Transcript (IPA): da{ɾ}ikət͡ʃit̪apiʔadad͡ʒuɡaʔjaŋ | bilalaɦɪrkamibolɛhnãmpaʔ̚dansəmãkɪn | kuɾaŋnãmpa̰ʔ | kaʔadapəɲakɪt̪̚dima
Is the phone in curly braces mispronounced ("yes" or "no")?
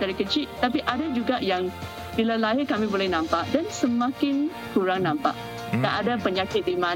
no